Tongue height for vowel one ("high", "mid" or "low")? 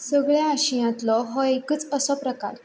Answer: mid